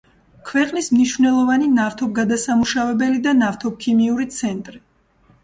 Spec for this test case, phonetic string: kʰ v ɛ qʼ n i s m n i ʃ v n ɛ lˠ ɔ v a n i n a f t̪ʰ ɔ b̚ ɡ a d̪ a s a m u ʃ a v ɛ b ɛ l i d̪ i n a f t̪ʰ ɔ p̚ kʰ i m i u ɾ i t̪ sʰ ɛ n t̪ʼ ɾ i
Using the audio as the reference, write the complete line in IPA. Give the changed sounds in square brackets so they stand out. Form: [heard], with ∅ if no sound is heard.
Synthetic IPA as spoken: kʰ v ɛ qʼ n i s m n i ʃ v n ɛ lˠ ɔ v a n i n a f t̪ʰ ɔ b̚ ɡ a d̪ a s a m u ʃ a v ɛ b ɛ l i d̪ [a] n a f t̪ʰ ɔ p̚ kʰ i m i u ɾ i t̪ sʰ ɛ n t̪ʼ ɾ i